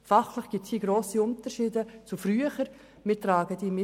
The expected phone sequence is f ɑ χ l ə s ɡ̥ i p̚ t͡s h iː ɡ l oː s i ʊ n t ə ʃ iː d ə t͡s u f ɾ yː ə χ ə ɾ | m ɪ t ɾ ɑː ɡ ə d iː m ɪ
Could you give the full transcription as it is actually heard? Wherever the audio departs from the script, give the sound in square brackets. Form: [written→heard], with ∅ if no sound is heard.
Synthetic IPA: f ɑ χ l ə [s→χ] ɡ̥ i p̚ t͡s h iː ɡ [l→ɾ] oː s i ʊ n t ə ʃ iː d ə t͡s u f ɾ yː ə χ ə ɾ | m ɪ t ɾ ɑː ɡ ə d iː m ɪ